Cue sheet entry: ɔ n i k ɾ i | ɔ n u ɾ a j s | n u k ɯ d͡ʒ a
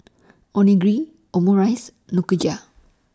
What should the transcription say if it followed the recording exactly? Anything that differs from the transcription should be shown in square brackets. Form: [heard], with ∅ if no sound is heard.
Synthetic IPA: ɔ n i [ɡ] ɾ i | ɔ [m] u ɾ a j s | n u k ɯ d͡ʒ a